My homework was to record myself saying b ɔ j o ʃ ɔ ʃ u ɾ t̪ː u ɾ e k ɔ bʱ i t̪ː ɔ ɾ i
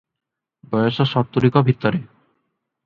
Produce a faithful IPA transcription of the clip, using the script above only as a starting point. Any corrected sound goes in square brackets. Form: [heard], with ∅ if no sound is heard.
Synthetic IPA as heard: b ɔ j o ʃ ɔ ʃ [ɔ] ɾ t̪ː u ɾ [i] k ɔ bʱ i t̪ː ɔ ɾ [e]